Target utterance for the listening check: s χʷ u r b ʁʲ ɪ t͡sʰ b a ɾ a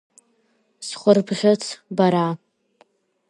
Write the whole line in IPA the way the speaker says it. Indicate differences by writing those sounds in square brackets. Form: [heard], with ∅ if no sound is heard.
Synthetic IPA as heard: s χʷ [ʊ] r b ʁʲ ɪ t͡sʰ b a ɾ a